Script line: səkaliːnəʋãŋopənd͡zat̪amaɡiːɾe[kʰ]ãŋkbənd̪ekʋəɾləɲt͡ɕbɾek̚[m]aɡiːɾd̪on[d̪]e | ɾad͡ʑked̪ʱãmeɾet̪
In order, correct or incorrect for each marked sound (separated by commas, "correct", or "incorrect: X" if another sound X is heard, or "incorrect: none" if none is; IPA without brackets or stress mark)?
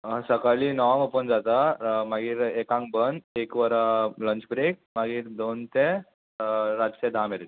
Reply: incorrect: k, correct, incorrect: t̪